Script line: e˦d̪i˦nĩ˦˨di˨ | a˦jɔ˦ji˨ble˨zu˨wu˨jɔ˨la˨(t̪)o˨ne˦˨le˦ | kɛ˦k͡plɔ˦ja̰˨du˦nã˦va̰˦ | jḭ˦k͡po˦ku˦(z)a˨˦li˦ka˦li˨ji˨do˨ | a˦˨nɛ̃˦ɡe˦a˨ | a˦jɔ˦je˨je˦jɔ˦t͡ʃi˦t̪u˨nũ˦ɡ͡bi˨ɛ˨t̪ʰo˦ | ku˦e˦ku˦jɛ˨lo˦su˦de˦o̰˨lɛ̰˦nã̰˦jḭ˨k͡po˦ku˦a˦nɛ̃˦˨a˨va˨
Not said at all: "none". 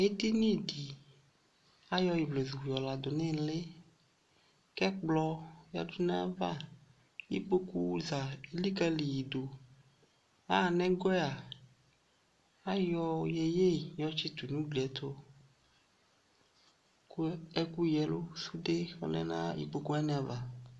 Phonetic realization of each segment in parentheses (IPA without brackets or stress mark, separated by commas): d̪, z